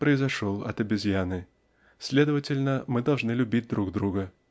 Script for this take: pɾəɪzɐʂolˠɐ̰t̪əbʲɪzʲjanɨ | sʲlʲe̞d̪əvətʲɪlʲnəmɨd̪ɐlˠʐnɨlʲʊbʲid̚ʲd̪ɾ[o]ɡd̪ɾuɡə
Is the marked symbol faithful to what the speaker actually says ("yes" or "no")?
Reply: no